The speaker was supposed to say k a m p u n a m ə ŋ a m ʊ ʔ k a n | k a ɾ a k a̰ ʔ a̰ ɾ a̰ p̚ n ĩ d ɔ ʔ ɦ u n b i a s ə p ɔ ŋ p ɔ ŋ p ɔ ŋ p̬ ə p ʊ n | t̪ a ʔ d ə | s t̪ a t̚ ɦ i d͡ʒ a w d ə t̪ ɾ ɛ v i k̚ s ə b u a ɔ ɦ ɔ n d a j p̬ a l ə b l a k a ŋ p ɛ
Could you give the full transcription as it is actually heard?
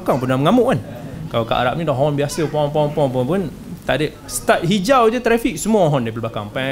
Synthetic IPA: k a ŋ p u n a m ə ŋ a m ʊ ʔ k a n | k a l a k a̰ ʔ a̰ ɾ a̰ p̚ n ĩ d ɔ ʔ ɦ ɔ n b i a s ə p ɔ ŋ p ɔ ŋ p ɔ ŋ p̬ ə p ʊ n | t̪ a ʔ d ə | s t̪ a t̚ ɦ i d͡ʒ a w d͡ʒ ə t̪ ɾ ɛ f i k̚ s ə m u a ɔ ɦ ɔ n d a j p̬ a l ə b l a k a ŋ p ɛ